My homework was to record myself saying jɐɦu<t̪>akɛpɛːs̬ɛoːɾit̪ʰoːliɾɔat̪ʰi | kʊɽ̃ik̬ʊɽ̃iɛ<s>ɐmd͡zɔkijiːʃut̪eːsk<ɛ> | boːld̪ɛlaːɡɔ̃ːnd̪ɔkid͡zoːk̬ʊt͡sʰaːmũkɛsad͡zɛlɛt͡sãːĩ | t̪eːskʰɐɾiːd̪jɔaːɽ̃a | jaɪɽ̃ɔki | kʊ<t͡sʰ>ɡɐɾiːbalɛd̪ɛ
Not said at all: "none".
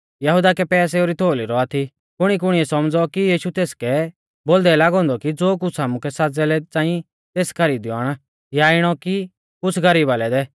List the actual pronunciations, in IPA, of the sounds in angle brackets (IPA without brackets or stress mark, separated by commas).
d̪, s, ɛ, t͡sʰ